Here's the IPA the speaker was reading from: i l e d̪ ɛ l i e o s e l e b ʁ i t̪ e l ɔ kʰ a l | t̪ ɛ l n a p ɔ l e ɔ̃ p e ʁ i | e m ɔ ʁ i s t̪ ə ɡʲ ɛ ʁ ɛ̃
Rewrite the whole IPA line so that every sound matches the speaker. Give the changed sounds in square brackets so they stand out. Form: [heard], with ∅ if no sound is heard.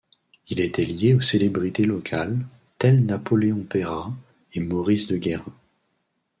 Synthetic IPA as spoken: i l e [t̪] ɛ l [j] e o s e l e b ʁ i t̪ e l ɔ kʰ a l | t̪ ɛ l n a p ɔ l e ɔ̃ p e ʁ [a] | e m ɔ ʁ i s [d̪] ə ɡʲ ɛ ʁ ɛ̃